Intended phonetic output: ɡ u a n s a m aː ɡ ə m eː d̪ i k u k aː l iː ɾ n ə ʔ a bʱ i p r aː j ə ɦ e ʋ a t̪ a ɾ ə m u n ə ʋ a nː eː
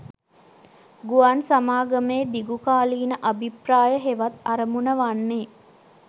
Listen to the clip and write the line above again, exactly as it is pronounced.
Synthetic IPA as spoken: ɡ u a n s a m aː ɡ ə m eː d̪ i ɡ u k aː l iː n ə ʔ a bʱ i p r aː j ə ɦ e ʋ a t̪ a ɾ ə m u n ə ʋ a nː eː